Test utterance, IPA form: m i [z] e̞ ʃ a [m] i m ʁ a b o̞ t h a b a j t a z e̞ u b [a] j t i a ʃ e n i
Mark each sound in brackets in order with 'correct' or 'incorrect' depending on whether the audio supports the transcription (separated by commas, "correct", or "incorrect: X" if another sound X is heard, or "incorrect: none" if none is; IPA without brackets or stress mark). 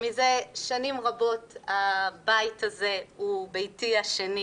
correct, incorrect: n, incorrect: e